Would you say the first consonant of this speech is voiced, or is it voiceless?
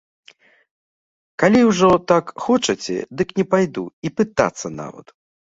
voiceless